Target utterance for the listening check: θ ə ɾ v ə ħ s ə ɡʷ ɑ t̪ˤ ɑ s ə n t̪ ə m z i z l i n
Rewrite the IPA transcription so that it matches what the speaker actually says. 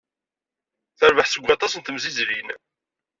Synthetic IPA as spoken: θ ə ɾ v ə ħ s ə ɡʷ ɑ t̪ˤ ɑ s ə n t̪ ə m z i z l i n